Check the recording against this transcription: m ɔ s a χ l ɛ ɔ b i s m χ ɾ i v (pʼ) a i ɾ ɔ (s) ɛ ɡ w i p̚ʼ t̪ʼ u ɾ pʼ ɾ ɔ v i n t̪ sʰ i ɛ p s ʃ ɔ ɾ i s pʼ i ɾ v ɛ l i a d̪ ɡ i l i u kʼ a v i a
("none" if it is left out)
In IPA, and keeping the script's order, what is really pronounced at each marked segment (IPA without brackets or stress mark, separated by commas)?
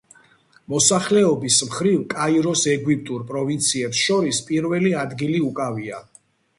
kʼ, s